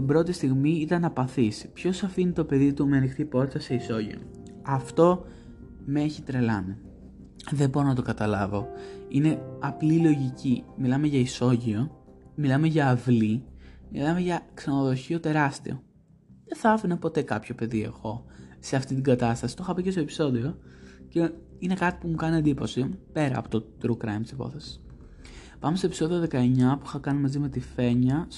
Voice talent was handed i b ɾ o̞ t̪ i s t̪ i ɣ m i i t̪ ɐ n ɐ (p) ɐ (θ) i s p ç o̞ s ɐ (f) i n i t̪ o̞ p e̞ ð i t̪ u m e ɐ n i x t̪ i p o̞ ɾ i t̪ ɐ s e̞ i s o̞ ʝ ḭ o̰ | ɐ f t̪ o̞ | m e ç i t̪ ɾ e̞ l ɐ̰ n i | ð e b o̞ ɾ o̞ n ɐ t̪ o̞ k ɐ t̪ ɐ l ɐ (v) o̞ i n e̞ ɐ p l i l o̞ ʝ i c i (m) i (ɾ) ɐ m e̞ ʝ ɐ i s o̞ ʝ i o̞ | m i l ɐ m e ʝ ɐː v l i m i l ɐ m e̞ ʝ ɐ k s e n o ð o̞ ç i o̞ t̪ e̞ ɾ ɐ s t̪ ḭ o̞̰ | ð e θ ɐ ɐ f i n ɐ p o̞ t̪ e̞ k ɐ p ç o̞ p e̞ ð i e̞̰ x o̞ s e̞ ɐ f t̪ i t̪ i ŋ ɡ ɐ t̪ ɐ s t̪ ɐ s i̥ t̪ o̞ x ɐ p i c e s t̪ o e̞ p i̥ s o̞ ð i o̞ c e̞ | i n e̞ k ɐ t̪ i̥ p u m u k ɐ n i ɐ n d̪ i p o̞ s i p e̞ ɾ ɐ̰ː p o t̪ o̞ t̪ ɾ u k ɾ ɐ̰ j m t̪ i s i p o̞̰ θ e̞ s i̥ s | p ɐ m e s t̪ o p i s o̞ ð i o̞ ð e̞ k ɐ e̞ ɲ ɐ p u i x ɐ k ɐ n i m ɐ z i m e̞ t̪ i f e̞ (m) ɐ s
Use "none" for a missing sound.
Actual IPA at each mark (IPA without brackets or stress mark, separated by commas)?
p, θ, f, v, m, l, ɲ